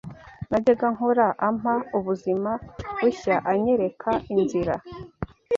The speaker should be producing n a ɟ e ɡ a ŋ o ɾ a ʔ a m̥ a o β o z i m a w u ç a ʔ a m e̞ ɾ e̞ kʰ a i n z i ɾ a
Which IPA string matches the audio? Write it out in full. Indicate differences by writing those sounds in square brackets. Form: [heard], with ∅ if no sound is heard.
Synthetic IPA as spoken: n a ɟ e ɡ a ŋ o ɾ a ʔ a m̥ a [u] β [u] z i m a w u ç a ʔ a [ɲ] e̞ ɾ e̞ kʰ a i n z i ɾ a